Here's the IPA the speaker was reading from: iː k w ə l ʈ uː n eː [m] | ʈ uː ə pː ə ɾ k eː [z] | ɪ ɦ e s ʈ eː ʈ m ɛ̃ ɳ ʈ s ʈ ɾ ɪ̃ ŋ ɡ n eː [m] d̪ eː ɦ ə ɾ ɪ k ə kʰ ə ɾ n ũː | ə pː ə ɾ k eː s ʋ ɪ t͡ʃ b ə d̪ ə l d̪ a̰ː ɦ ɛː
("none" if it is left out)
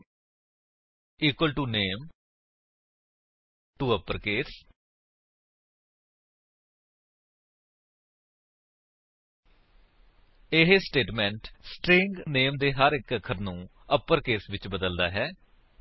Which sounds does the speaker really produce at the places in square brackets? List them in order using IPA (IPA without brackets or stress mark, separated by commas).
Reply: m, s, m